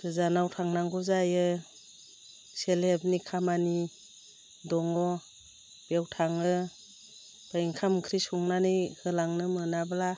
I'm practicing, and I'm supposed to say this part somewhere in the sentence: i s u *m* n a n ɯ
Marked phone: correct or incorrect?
incorrect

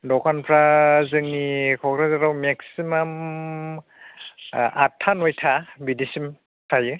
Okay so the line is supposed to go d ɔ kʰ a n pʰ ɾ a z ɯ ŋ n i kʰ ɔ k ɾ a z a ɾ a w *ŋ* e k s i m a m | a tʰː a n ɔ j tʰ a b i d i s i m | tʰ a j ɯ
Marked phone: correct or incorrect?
incorrect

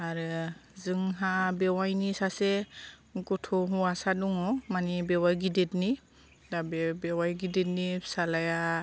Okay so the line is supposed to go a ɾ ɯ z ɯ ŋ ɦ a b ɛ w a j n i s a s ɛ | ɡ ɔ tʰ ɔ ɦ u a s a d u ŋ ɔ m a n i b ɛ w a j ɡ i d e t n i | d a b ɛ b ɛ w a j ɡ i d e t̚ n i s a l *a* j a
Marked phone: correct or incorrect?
correct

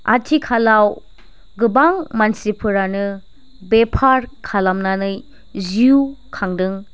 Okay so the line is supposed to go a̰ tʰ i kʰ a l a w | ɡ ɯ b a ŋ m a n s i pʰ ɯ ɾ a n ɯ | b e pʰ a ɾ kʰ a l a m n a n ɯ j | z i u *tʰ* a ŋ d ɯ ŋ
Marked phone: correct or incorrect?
incorrect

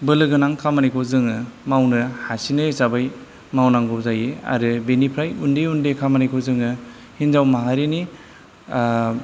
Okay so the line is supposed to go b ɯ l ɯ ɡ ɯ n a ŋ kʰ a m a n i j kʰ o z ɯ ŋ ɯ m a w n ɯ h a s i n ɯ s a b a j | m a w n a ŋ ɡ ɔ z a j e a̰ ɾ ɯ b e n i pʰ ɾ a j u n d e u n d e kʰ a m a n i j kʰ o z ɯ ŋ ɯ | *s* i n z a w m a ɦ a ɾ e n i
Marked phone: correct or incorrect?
incorrect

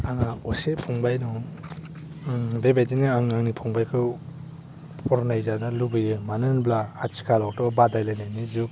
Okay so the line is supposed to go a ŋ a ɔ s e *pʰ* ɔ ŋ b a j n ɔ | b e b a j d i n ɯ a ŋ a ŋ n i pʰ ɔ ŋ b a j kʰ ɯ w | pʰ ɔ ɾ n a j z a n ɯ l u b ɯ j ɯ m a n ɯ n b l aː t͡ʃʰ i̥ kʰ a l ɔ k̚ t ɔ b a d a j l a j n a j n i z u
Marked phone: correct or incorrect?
correct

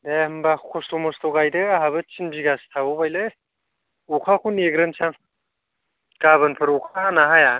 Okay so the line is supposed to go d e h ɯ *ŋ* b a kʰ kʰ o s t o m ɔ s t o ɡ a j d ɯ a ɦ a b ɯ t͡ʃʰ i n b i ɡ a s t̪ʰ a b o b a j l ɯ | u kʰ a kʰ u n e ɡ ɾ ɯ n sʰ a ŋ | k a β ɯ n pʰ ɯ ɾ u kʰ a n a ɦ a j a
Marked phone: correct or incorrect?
incorrect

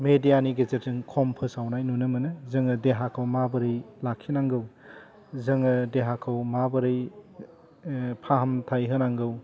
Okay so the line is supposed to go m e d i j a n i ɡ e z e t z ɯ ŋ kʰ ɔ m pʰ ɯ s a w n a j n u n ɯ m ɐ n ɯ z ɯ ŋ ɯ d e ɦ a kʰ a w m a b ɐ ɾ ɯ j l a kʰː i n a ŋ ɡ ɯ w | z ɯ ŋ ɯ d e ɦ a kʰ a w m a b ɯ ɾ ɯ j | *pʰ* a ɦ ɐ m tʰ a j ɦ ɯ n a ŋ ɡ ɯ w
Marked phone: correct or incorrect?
correct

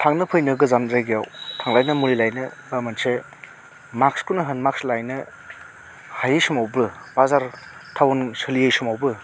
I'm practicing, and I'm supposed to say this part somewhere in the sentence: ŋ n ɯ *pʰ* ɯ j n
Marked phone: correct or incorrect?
correct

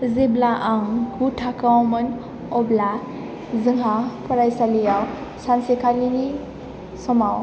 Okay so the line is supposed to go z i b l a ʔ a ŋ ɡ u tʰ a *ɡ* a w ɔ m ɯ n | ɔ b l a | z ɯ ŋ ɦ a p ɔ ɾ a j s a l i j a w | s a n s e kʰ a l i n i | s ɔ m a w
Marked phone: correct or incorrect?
incorrect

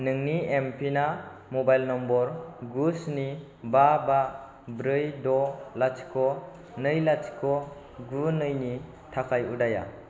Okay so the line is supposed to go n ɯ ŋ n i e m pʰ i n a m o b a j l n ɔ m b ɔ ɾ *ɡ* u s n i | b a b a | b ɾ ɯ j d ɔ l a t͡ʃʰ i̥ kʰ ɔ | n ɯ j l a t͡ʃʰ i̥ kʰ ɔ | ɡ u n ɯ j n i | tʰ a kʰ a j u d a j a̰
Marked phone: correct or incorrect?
correct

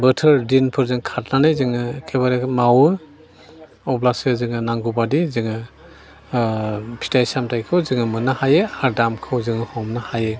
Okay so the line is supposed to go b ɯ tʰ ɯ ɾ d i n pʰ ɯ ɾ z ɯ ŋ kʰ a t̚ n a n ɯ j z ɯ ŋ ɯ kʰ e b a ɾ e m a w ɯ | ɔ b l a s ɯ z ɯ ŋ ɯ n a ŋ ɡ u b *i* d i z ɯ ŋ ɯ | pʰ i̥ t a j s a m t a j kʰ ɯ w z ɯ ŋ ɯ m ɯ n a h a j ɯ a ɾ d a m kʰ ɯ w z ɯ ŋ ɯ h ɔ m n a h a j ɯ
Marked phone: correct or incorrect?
incorrect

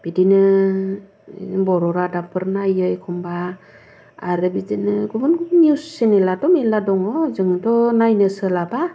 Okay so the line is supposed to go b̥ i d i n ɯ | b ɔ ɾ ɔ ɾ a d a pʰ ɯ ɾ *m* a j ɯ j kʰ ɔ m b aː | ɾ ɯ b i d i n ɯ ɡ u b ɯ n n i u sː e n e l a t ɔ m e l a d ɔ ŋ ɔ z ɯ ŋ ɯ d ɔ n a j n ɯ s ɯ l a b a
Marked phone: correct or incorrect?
incorrect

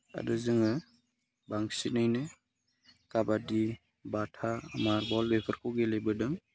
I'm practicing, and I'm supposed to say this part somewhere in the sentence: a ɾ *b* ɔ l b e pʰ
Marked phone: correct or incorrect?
correct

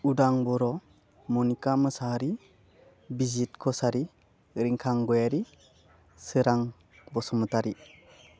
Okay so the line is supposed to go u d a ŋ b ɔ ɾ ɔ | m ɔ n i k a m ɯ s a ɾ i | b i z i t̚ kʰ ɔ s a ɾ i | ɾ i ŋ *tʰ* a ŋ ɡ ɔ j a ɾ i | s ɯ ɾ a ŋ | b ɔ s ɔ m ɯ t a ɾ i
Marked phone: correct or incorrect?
incorrect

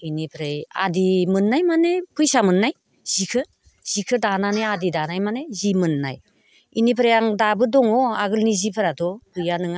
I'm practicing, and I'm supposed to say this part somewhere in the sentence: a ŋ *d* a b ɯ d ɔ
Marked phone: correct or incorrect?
correct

